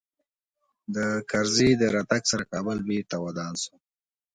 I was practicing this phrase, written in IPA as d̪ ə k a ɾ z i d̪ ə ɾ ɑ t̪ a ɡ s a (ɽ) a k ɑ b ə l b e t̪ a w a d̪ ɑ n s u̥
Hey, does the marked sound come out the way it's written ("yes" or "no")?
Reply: no